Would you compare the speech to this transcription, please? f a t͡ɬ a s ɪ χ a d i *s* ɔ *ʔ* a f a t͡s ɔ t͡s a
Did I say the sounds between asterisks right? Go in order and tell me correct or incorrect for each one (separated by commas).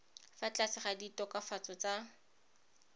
incorrect, incorrect